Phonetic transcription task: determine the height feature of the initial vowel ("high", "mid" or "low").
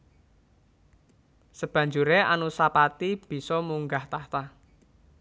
mid